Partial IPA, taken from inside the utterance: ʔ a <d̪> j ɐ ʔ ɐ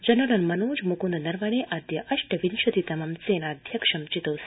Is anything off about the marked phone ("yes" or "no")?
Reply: no